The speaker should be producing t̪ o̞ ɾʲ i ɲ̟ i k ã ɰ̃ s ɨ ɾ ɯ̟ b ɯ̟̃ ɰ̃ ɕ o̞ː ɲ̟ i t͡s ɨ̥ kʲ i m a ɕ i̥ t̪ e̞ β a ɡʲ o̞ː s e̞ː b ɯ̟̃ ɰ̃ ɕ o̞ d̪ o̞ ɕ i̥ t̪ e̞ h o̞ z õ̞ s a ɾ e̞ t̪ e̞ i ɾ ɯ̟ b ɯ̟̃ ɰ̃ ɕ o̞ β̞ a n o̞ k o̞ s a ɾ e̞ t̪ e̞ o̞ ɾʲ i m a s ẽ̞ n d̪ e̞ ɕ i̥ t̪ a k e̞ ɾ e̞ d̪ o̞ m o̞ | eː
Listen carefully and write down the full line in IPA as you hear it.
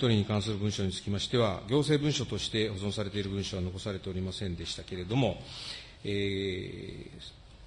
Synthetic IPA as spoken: t̪ o̞ ɾʲ i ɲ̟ i k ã ɰ̃ s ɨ ɾ ɯ̟ b ɯ̟̃ ɰ̃ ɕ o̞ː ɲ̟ i t͡s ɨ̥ kʲ i m a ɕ i̥ t̪ e̞ β a ɡʲ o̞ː s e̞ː b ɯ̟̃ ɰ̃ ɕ o̞ t̪ o̞ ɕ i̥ t̪ e̞ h o̞ z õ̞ s a ɾ e̞ t̪ e̞ i ɾ ɯ̟ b ɯ̟̃ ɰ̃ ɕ o̞ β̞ a n o̞ k o̞ s a ɾ e̞ t̪ e̞ o̞ ɾʲ i m a s ẽ̞ n d̪ e̞ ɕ i̥ t̪ a k e̞ ɾ e̞ d̪ o̞ m o̞ | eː

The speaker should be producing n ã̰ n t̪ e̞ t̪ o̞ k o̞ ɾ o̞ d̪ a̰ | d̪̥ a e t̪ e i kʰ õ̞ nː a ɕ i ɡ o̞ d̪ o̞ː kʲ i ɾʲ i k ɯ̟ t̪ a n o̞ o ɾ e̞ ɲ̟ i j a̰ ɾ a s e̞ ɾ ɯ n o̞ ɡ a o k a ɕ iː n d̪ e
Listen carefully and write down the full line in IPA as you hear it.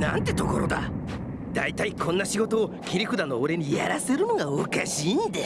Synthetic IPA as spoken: n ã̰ n t̪ e̞ t̪ o̞ k o̞ ɾ o̞ d̪ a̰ | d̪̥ a i t̪ a i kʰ õ̞ nː a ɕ i ɡ o̞ t̪ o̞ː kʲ i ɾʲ i k ɯ̟ d̪ a n o̞ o ɾ e̞ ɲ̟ i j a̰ ɾ a s e̞ ɾ ɯ n o̞ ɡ a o k a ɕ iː n d̪ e

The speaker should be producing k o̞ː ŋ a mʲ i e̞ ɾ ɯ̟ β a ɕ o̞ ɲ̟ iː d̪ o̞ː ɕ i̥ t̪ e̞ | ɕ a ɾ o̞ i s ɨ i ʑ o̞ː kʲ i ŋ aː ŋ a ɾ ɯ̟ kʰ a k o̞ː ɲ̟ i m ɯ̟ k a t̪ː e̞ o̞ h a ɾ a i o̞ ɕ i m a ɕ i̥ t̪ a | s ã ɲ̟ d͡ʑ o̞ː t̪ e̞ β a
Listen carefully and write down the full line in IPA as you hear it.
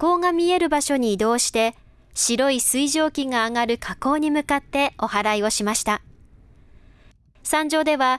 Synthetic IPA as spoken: k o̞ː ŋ a mʲ i e̞ ɾ ɯ̟ b a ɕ o̞ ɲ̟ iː d̪ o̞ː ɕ i̥ t̪ e̞ | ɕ i ɾ o̞ i s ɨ i ʑ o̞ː kʲ i ŋ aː ŋ a ɾ ɯ̟ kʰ a k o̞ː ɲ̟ i m ɯ̟ k a t̪ː e̞ o̞ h a ɾ a i o̞ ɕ i m a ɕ i̥ t̪ a | s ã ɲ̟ d͡ʑ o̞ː d̪ e̞ β a

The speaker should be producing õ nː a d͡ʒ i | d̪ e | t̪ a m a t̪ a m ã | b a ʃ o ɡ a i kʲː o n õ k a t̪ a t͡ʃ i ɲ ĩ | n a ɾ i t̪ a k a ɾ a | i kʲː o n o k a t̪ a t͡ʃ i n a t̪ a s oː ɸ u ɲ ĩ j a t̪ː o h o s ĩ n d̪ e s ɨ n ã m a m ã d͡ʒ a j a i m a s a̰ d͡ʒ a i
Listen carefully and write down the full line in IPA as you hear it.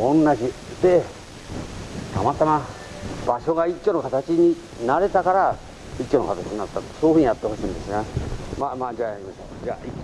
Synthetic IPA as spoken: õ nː a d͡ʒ i | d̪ e | t̪ a m a t̪ a m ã | b a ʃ o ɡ a i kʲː o n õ k a t̪ a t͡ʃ i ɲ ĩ | n a ɾ e t̪ a k a ɾ a | i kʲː o n o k a t̪ a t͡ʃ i n a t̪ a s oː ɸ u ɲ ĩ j a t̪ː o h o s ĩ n d̪ e s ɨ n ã m a m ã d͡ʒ a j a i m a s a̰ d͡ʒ a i

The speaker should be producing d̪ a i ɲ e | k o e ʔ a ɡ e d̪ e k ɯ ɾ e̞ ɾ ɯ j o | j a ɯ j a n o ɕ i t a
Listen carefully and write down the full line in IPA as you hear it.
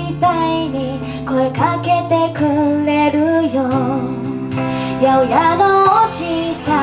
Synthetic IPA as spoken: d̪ a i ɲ i | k o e k a k e t̪ e k ɯ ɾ e̞ ɾ ɯ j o | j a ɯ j a n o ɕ i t a

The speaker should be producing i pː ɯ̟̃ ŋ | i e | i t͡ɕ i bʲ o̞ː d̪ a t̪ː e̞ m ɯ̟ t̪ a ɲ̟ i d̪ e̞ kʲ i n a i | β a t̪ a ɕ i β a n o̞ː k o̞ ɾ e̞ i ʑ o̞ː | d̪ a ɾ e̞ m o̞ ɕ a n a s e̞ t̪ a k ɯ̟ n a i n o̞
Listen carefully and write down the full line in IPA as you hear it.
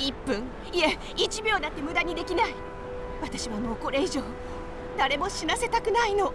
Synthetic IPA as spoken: i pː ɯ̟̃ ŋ | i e | i t͡ɕ i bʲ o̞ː d̪ a t̪ː e̞ m ɯ̟ d̪ a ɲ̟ i d̪ e̞ kʲ i n a i | β a t̪ a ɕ i β a n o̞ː k o̞ ɾ e̞ i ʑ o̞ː | d̪ a ɾ e̞ m o̞ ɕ i n a s e̞ t̪ a k ɯ̟ n a i n o̞

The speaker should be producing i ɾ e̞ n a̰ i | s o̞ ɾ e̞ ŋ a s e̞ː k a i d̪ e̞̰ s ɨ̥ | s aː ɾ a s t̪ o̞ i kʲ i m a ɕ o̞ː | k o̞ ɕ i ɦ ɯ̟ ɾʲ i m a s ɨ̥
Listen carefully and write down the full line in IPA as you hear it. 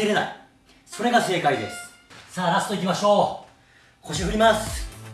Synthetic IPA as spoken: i ɾ e̞ n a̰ i | s o̞ ɾ e̞ ɡ a s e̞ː k a i d̪ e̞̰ s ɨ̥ | s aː ɾ a s t̪ o̞ i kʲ i m a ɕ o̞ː | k o̞ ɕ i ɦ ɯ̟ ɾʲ i m a s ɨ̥

